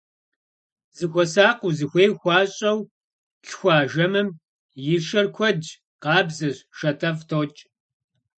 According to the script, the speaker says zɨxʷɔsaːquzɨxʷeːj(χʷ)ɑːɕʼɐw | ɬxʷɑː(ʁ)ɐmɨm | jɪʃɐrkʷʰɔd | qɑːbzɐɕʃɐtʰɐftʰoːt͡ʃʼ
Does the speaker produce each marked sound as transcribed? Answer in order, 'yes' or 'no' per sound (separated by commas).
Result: no, no